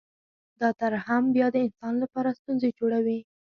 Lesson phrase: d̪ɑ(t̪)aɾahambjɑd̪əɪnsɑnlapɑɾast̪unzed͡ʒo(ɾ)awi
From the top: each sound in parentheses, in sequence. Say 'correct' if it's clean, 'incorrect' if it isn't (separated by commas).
correct, incorrect